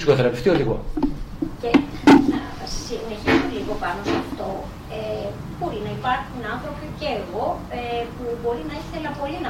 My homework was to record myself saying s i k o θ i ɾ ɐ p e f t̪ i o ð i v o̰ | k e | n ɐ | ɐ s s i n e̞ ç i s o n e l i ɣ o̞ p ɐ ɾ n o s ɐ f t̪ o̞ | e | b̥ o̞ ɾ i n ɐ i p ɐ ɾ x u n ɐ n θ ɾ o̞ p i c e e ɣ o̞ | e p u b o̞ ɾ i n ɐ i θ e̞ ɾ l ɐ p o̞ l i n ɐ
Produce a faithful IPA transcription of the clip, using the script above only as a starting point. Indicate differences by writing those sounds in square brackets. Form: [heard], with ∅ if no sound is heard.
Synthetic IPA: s i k o θ [e] ɾ ɐ p e f t̪ i o ð i [ɣ] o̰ | [c] e | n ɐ | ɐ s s i n e̞ ç i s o [m] e l i ɣ o̞ p ɐ [∅] n o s ɐ f t̪ o̞ | e | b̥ o̞ ɾ i n ɐ i p ɐ ɾ x u n ɐ n θ ɾ o̞ p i c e e ɣ o̞ | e p u b o̞ ɾ i n ɐ i θ e̞ [∅] l ɐ p o̞ l i n ɐ